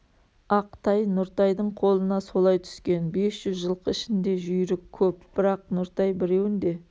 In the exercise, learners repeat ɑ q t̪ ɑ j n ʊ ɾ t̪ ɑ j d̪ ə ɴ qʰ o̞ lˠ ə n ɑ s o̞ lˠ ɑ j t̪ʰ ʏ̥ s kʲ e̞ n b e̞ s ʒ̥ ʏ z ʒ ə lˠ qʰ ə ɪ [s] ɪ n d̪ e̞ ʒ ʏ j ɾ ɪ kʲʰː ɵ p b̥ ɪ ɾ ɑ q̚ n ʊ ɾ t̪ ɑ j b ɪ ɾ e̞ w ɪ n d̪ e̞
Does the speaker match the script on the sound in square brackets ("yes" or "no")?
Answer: no